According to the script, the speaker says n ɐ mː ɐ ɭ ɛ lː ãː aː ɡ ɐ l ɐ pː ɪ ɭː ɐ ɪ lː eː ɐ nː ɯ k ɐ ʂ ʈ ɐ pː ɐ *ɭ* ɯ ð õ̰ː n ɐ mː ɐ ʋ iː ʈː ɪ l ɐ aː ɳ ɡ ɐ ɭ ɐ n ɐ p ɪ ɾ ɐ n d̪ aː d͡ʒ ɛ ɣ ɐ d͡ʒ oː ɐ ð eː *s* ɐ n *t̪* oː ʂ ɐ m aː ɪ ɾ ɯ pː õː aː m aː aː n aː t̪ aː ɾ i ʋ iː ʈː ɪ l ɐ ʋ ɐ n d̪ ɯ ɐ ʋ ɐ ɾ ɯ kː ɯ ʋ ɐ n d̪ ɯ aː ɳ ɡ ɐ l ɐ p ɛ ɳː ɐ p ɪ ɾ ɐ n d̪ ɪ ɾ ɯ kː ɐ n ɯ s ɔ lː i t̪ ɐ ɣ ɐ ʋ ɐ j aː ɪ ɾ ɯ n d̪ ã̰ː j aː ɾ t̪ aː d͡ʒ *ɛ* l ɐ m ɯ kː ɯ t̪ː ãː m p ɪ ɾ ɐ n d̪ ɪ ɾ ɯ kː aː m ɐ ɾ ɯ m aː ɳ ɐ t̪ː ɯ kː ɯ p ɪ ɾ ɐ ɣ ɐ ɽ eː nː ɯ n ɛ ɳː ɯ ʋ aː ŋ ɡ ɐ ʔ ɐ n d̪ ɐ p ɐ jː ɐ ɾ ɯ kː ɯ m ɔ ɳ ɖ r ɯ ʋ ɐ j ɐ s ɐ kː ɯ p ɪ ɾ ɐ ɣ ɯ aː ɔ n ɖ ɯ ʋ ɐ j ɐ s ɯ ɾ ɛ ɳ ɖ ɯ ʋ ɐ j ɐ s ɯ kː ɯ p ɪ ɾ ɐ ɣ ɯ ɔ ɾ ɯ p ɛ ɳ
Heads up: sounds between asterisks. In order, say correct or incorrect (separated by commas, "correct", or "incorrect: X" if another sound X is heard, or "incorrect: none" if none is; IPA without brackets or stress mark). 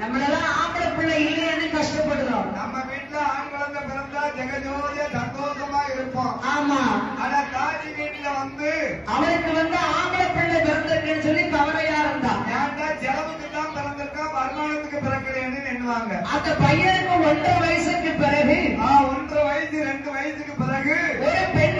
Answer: incorrect: ɽ, correct, incorrect: d̪, correct